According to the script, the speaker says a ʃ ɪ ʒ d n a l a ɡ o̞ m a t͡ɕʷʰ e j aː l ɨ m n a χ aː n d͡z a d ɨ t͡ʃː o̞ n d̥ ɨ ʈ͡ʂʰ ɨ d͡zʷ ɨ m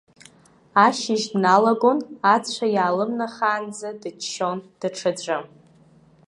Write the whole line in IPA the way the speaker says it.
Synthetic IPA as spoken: a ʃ ɪ ʒ d n a l a ɡ o̞ n a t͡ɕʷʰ a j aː l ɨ m n a χ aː n d͡z a d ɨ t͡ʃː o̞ n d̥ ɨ ʈ͡ʂʰ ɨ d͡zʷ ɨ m